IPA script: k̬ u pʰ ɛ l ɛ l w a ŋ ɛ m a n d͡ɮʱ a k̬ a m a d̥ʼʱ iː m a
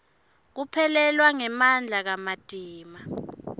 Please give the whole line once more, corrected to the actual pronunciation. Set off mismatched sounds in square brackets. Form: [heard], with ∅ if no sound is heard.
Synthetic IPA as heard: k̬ u pʰ ɛ l ɛ l w a ŋ ɛ m a n d͡ɮʱ a k̬ a m a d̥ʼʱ iː m a